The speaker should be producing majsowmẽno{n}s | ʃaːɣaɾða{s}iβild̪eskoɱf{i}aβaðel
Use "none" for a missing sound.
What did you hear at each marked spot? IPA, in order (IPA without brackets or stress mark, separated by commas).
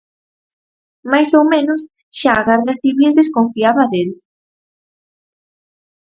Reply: none, θ, i